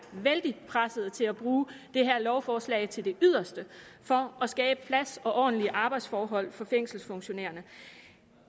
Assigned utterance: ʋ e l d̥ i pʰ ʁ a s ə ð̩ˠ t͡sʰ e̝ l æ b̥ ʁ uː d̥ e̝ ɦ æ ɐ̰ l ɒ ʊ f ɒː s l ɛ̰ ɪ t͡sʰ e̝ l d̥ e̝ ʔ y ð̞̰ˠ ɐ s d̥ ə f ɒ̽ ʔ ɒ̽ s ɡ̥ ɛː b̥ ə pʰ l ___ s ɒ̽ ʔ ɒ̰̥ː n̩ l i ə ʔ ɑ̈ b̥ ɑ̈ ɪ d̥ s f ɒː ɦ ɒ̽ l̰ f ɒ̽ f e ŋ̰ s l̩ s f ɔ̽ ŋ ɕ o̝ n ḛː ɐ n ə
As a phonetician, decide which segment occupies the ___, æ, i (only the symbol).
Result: æ